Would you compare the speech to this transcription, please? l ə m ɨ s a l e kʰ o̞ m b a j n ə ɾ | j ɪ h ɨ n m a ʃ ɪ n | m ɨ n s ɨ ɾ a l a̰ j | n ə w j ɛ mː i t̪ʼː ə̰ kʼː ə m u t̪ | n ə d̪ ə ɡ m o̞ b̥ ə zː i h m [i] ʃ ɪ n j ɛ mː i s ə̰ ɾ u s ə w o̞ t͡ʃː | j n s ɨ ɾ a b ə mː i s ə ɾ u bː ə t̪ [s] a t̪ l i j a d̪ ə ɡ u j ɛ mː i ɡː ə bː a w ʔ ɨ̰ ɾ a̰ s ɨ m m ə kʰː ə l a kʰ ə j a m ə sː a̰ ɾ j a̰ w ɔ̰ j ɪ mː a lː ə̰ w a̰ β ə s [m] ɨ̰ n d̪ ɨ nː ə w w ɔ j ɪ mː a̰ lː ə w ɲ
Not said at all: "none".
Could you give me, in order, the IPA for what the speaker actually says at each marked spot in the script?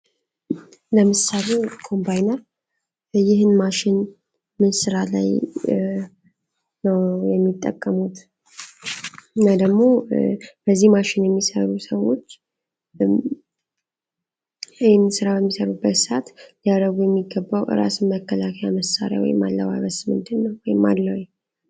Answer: a, s, m

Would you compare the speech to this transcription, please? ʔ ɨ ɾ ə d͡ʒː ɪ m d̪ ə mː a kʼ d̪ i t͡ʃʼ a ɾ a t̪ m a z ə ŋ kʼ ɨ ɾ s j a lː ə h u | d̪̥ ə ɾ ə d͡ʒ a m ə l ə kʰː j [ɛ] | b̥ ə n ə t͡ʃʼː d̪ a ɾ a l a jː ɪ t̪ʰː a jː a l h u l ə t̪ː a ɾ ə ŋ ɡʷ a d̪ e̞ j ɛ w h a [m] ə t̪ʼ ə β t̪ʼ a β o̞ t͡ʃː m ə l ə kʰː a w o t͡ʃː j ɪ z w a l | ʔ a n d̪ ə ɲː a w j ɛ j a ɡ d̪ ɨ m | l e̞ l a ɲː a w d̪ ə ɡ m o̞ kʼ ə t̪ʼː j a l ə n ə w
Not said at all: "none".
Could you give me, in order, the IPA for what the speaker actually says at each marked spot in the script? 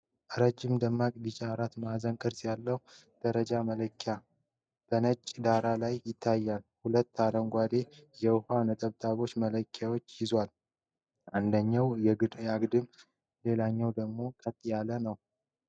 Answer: a, n

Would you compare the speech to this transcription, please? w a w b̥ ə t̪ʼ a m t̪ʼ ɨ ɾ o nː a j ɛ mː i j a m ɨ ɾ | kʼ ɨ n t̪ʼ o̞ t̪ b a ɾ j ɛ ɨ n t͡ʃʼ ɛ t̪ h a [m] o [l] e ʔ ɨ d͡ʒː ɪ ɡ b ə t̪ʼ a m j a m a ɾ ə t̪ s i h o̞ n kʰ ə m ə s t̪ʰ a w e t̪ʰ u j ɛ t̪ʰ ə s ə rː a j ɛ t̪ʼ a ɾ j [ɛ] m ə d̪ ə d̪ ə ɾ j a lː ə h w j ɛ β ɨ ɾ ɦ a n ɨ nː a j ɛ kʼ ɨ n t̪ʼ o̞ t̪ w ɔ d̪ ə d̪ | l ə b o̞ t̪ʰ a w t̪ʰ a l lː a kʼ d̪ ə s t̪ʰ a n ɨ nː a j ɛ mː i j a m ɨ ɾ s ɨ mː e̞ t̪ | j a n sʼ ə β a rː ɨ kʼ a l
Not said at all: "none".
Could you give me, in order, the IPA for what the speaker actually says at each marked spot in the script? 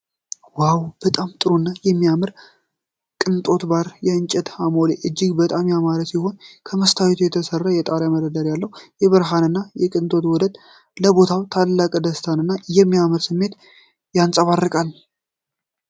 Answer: m, l, a

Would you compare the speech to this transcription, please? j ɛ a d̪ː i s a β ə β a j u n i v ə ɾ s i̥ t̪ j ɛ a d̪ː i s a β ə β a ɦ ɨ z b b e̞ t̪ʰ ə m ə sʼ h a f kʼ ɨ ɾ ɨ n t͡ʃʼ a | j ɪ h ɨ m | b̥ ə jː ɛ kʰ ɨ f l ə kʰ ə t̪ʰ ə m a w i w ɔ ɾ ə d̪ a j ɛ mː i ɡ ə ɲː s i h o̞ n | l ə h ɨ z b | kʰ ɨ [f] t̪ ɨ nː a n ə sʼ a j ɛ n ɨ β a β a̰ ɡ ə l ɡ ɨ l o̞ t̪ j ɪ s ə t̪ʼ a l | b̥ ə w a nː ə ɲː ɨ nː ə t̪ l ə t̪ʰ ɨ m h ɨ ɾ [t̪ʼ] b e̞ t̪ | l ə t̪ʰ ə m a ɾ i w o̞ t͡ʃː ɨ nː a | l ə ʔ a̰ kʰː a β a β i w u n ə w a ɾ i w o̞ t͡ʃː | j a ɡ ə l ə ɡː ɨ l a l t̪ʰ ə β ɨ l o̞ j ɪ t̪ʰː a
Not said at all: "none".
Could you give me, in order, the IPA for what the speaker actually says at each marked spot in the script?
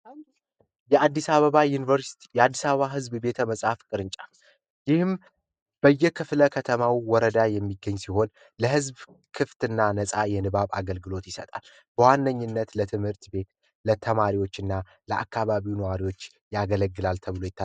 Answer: f, t̪

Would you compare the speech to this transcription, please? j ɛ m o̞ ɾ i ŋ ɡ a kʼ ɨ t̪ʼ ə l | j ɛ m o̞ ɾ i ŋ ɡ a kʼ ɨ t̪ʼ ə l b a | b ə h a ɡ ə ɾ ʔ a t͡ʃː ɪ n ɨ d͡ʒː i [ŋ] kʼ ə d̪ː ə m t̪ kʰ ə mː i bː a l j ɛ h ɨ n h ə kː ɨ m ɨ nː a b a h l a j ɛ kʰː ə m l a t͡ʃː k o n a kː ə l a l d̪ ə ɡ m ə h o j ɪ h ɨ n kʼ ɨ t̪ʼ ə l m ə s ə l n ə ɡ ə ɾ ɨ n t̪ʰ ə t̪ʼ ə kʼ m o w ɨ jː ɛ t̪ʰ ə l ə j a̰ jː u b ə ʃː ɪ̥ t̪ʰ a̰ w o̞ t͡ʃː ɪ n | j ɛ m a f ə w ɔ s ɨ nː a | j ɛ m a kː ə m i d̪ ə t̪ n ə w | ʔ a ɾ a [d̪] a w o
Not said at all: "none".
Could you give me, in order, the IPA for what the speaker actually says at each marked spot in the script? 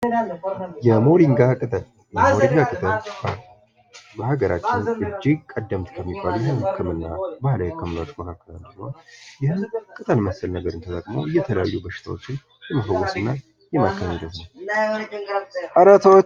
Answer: ɡ, t̪

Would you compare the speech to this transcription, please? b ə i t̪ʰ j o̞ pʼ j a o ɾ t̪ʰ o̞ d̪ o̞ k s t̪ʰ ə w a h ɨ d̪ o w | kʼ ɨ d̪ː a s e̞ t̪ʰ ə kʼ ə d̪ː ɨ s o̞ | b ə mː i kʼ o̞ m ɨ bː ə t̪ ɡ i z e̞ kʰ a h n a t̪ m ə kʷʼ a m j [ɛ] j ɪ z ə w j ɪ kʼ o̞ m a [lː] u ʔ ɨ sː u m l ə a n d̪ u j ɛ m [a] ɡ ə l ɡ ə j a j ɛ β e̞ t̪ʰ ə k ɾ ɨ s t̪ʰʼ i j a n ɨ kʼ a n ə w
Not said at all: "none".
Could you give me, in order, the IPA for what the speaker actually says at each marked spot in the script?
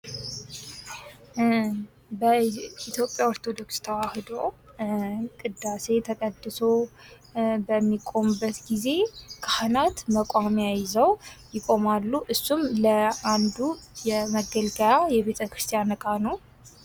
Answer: a, lː, ə

